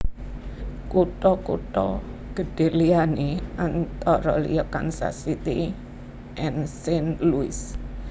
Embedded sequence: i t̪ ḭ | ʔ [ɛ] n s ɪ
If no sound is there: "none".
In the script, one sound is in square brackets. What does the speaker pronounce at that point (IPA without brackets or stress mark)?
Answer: ɛ